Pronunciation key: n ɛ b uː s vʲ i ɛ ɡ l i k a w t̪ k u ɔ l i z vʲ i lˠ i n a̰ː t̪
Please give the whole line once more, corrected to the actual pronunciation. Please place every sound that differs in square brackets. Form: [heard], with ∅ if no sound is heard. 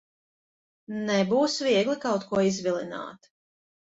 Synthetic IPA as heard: n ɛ b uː s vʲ i ɛ ɡ l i k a w t̪ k u ɔ [∅] i z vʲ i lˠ i n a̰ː t̪